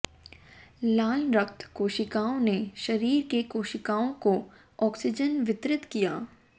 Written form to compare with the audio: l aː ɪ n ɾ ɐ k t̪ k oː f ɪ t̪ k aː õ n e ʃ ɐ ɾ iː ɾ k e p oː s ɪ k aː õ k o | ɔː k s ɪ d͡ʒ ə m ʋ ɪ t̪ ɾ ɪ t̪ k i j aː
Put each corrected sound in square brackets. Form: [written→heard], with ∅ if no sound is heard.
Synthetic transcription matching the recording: l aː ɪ n ɾ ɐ k t̪ k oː [f→ʃ] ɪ [t̪→∅] k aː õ n e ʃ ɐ ɾ iː ɾ k e [p→k] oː [s→ʃ] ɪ k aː õ k o | ɔː k s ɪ d͡ʒ ə [m→n] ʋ ɪ t̪ ɾ ɪ t̪ k i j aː